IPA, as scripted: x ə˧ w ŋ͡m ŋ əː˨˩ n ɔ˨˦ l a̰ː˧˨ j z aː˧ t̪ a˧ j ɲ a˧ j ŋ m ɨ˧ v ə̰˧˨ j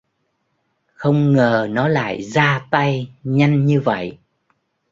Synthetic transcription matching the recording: x ə˧ w ŋ͡m ŋ əː˨˩ n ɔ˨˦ l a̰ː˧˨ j z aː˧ t̪ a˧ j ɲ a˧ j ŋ ɲ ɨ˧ v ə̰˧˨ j

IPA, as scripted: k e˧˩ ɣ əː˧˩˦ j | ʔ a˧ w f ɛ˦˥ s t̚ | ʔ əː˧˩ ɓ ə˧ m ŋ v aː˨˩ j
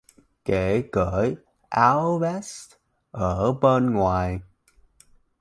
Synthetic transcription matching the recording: k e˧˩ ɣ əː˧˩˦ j | ʔ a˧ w v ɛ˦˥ s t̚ | ʔ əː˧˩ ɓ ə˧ n ŋ w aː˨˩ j

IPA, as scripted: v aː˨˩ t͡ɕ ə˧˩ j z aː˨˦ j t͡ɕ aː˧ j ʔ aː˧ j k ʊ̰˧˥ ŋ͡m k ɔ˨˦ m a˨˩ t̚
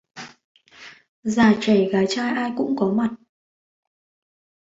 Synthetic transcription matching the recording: z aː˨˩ t͡ɕ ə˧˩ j ɣ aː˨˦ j t͡ɕ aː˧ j ʔ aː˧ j k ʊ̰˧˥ ŋ͡m k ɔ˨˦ m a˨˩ t̚

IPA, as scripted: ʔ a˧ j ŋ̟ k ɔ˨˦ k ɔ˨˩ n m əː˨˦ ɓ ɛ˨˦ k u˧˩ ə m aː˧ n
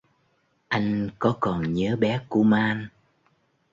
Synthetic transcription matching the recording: ʔ a˧ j ŋ̟ k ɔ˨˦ k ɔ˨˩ n ɲ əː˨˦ ɓ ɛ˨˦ k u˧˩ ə m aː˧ n

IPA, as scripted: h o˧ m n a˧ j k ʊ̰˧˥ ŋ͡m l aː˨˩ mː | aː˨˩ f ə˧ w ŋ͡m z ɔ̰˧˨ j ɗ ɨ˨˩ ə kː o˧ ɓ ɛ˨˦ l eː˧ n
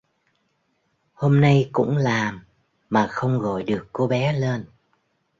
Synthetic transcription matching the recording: h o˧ m n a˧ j k ʊ̰˧˥ ŋ͡m l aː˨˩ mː | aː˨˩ x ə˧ w ŋ͡m ɣ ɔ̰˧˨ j ɗ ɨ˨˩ ə kː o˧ ɓ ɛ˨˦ l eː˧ n

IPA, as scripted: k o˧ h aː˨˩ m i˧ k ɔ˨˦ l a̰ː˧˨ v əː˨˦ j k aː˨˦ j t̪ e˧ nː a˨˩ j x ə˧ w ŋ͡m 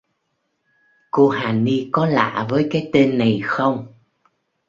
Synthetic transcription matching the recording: k o˧ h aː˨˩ n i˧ k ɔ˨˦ l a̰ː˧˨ v əː˨˦ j k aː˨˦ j t̪ e˧ nː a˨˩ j x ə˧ w ŋ͡m

